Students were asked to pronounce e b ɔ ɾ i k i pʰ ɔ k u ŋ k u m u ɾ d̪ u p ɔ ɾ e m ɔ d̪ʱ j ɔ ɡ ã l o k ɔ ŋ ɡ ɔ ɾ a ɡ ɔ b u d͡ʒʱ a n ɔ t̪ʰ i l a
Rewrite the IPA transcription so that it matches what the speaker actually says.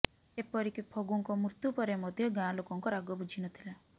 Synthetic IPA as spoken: e p ɔ ɾ i k i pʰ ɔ ɡ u ŋ k ɔ m u ɾ t̪ u p ɔ ɾ e m ɔ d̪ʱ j ɔ ɡ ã l o k ɔ ŋ k ɔ ɾ a ɡ ɔ b u d͡ʒʱ i n ɔ t̪ʰ i l a

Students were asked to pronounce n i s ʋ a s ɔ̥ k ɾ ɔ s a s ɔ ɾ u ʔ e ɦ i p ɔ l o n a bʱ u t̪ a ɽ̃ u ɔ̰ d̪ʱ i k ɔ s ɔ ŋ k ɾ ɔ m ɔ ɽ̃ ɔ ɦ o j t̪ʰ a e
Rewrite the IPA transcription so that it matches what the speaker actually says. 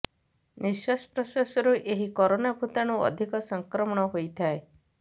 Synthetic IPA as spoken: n i s w a s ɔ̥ p ɾ ɔ s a s ɔ ɾ u ʔ e ɦ i k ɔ ɾ o n a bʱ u t̪ a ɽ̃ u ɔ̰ d̪ʱ i k ɔ s ɔ ŋ k ɾ ɔ m ɔ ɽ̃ ɔ ɦ o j t̪ʰ a e

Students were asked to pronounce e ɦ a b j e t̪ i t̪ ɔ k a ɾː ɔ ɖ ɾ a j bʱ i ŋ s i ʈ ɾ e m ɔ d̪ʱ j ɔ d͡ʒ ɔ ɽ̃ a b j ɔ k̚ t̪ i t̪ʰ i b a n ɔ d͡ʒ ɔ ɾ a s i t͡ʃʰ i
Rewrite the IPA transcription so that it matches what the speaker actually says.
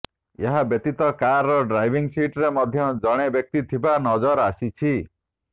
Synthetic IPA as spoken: e ɦ a b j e t̪ i t̪ ɔ k a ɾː ɔ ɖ ɾ a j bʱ i ŋ s i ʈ ɾ e m ɔ d̪ʱ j ɔ d͡ʒ ɔ ɽ̃ e b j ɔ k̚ t̪ i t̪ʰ i b a n ɔ d͡ʒ ɔ ɾ a s i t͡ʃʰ i

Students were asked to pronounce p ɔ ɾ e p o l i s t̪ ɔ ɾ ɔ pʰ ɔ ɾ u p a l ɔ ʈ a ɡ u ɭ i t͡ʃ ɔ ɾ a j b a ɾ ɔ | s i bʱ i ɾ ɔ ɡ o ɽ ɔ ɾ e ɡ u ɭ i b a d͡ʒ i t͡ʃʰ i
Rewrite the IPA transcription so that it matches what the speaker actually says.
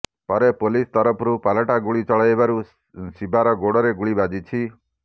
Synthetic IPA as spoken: p ɔ ɾ e p o l i s t̪ ɔ ɾ ɔ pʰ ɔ ɾ u p a l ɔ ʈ a ɡ u ɭ i t͡ʃ ɔ ɭ a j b a ɾ u | s i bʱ a ɾ ɔ ɡ o ɽ ɔ ɾ e ɡ u ɭ i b a d͡ʒ i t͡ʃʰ i

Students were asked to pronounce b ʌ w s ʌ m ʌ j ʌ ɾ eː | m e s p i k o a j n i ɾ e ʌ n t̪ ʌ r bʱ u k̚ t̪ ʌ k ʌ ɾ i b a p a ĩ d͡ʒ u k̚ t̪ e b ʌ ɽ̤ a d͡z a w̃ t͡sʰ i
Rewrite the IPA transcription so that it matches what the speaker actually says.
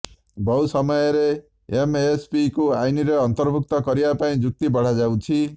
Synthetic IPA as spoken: b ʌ w s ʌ m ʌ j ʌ ɾ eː | m e s p i k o a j n i ɾ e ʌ n t̪ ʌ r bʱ u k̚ t̪ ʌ k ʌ ɾ i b a p a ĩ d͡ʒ u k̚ t̪ i b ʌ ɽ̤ a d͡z a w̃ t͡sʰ i

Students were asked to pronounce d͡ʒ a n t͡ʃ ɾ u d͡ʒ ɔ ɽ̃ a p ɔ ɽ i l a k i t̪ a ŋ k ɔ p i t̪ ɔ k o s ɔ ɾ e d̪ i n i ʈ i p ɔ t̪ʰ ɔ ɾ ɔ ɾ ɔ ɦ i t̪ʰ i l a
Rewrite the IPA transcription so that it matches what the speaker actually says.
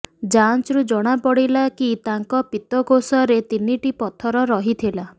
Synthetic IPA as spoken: d͡ʒ a n t͡ʃ ɾ u d͡ʒ ɔ ɽ̃ a p ɔ ɽ i l a k i t̪ a ŋ k ɔ p i t̪ ɔ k o s ɔ ɾ e t̪ i n i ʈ i p ɔ t̪ʰ ɔ ɾ ɔ ɾ ɔ ɦ i t̪ʰ i l a

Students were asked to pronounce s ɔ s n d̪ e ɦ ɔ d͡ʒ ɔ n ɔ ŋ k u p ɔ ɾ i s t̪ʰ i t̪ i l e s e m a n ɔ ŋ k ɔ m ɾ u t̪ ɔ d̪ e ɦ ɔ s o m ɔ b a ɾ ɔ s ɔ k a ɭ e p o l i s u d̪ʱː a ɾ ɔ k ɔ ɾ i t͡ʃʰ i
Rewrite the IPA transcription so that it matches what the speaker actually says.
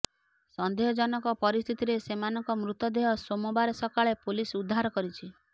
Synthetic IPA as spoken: s ɔ n d̪ e ɦ ɔ d͡ʒ ɔ n ɔ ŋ k ɔ p ɔ ɾ i s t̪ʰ i t̪ i ɾ e s e m a n ɔ ŋ k ɔ m ɾ u t̪ ɔ d̪ e ɦ ɔ s o m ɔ b a ɾ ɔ s ɔ k a ɭ e p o l i s u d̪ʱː a ɾ ɔ k ɔ ɾ i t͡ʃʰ i

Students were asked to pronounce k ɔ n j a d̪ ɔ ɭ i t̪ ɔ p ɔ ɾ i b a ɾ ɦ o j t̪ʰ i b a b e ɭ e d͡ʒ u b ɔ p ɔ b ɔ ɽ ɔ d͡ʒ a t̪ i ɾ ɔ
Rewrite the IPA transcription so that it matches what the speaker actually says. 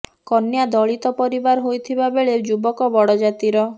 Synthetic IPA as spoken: k ɔ n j a d̪ ɔ ɭ i t̪ ɔ p ɔ ɾ i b a ɾ ɦ o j t̪ʰ i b a b e ɭ e d͡ʒ u b ɔ k ɔ b ɔ ɽ ɔ d͡ʒ a t̪ i ɾ ɔ

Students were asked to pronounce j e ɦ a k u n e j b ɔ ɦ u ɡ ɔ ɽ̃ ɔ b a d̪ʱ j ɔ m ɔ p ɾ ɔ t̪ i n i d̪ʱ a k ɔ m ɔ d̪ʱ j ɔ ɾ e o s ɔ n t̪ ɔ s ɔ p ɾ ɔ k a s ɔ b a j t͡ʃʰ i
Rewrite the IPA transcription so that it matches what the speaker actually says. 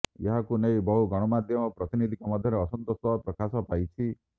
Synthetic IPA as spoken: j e ɦ a k u n e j b ɔ ɦ u ɡ ɔ ɽ̃ ɔ m a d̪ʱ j ɔ m ɔ p ɾ ɔ t̪ i n i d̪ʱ i k ɔ m ɔ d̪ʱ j ɔ ɾ e ɔ s ɔ n t̪ ɔ s ɔ p ɾ ɔ k a s ɔ p a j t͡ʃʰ i

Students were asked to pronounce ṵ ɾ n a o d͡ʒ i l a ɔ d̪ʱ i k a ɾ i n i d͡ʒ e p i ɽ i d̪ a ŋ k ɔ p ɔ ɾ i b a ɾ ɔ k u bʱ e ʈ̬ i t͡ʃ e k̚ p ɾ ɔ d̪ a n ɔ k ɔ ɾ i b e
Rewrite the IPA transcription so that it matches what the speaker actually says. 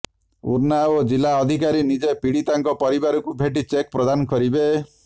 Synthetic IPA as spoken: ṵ ɾ n a o d͡ʒ i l a ɔ d̪ʱ i k a ɾ i n i d͡ʒ e p i ɽ i t̪ a ŋ k ɔ p ɔ ɾ i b a ɾ ɔ k u bʱ e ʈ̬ i t͡ʃ e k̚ p ɾ ɔ d̪ a n ɔ k ɔ ɾ i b e

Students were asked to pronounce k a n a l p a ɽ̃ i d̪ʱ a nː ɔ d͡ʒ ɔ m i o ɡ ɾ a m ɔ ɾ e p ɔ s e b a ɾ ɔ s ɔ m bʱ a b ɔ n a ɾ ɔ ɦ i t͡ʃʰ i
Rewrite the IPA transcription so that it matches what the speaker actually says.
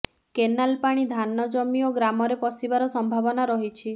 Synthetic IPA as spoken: k e n a l p a ɽ̃ i d̪ʱ a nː ɔ d͡ʒ ɔ m i o ɡ ɾ a m ɔ ɾ e p ɔ s i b a ɾ ɔ s ɔ m bʱ a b ɔ n a ɾ ɔ ɦ i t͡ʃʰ i

